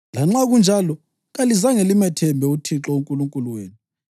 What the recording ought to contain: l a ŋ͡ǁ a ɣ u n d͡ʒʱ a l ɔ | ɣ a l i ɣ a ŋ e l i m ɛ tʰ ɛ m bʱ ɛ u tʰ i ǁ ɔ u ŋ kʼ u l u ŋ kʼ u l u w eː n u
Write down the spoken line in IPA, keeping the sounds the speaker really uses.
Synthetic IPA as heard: l a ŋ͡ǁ a ɣ u n d͡ʒʱ a l ɔ | ɣ a l i z a ŋ e l i m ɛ tʰ ɛ m bʱ ɛ u tʰ i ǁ ɔ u ŋ kʼ u l u ŋ kʼ u l u w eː n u